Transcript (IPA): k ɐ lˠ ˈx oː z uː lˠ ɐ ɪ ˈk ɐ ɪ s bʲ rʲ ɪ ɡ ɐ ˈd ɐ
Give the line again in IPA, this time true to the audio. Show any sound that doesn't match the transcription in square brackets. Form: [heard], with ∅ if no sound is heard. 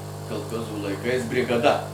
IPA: k ɐ lˠ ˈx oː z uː lˠ ɐ ɪ ˈk ɐ ɪ s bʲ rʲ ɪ ɡ ɐ ˈd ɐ

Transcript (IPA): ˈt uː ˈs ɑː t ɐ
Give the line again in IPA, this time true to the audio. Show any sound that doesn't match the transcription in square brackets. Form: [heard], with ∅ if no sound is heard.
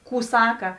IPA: [ˈk] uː ˈs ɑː [k] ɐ

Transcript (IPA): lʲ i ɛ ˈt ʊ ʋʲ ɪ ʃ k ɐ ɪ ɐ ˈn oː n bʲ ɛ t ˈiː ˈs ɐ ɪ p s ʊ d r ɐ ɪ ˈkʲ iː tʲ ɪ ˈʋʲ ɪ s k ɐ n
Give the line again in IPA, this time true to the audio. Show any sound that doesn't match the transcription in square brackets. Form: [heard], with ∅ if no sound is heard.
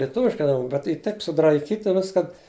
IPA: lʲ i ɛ ˈt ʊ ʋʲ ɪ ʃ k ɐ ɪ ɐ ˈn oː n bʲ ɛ t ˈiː [ˈt] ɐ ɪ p s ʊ d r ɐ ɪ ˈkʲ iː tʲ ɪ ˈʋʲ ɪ s k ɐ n

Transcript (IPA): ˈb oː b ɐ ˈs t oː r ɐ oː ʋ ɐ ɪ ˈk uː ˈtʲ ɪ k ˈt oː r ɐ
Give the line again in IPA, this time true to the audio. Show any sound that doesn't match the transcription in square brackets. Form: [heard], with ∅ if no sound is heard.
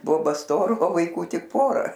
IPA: ˈb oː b ɐ ˈs t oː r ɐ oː ʋ ɐ ɪ ˈk uː ˈtʲ ɪ k [ˈp] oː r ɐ

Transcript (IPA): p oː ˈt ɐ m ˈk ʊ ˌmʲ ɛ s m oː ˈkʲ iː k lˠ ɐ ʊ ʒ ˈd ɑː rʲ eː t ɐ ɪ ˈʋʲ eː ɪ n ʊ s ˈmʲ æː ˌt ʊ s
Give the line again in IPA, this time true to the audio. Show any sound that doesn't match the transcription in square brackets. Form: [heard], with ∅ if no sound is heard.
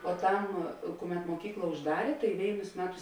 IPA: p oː ˈt ɐ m ˈk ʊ ˌmʲ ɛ [t] m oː ˈkʲ iː k lˠ ɐ ʊ ʒ ˈd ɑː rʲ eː t ɐ ɪ ˈʋʲ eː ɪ n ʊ s ˈmʲ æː ˌt ʊ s

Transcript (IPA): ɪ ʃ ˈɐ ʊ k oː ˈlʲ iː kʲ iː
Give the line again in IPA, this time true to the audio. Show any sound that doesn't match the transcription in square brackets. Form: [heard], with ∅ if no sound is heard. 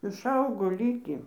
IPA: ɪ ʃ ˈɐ ʊ [ɡ] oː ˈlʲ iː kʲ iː

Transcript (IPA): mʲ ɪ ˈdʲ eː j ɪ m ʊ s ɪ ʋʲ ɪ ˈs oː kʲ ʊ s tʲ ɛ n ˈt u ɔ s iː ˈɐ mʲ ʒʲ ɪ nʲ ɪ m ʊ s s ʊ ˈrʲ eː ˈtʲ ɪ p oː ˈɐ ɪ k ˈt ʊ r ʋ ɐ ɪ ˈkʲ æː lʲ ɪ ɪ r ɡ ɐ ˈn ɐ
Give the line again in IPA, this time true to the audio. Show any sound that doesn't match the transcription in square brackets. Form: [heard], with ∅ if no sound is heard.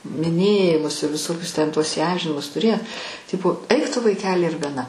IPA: mʲ ɪ [ˈnʲ] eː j ɪ m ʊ s ɪ ʋʲ ɪ ˈs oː kʲ ʊ s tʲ ɛ n ˈt u ɔ s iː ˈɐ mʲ ʒʲ ɪ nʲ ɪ m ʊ s [t] ʊ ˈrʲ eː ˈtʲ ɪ p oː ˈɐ ɪ k ˈt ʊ [∅] ʋ ɐ ɪ ˈkʲ æː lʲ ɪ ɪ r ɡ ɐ ˈn ɐ

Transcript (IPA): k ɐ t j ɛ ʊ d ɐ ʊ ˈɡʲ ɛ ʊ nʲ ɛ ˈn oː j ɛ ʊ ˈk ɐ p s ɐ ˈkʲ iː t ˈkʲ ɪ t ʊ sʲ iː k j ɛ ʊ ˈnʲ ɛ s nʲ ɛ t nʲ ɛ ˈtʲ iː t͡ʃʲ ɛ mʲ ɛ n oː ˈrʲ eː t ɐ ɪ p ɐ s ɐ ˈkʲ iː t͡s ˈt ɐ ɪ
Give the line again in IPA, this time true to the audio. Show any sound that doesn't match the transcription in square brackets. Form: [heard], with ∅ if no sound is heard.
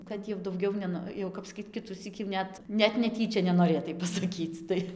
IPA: k ɐ t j ɛ ʊ d ɐ ʊ ˈɡʲ ɛ ʊ nʲ ɛ ˈn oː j ɛ ʊ ˈk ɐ p s ɐ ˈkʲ iː t ˈkʲ ɪ t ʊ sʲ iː k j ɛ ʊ ˈnʲ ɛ [t] nʲ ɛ t nʲ ɛ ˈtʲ iː t͡ʃʲ ɛ [nʲ] ɛ n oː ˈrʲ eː t ɐ ɪ p ɐ s ɐ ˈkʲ iː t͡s ˈt ɐ ɪ

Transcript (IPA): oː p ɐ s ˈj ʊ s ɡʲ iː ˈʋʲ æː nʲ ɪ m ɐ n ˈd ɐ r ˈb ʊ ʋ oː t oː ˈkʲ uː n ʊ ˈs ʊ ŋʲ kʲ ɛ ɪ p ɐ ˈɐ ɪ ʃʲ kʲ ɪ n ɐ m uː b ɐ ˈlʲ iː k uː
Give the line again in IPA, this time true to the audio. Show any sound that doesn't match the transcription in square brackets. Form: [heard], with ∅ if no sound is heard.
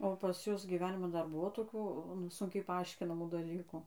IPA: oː p ɐ s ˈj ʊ s ɡʲ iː ˈʋʲ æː nʲ ɪ m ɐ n ˈd ɐ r ˈb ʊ ʋ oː t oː ˈkʲ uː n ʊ ˈs ʊ ŋʲ kʲ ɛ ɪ p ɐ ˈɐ ɪ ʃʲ kʲ ɪ n ɐ m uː [d] ɐ ˈlʲ iː k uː

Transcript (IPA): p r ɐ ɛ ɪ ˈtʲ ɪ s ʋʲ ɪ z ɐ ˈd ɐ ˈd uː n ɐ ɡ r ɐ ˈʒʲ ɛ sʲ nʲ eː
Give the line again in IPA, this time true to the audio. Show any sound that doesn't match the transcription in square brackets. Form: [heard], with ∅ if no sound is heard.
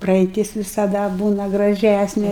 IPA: p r ɐ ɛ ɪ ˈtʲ ɪ s ʋʲ ɪ [s] ɐ ˈd ɐ [ˈb] uː n ɐ ɡ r ɐ ˈʒʲ [æ] sʲ nʲ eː

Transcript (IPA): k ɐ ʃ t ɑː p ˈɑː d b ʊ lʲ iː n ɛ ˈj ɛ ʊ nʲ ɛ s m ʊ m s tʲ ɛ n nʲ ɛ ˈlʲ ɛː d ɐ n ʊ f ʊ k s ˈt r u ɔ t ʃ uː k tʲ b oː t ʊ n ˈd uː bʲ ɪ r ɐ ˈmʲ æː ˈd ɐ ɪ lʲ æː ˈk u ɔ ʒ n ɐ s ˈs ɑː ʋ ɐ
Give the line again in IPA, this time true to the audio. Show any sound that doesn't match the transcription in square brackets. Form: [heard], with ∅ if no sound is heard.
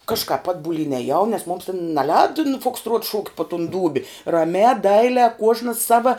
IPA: k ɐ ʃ [k] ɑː p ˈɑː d b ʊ lʲ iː n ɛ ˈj ɛ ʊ nʲ ɛ s m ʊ m s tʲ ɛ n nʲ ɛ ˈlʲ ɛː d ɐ n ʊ f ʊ k s ˈt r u ɔ t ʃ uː k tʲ [p] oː t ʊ n ˈd uː bʲ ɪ r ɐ ˈmʲ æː ˈd ɐ ɪ lʲ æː ˈk u ɔ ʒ n ɐ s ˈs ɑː ʋ ɐ

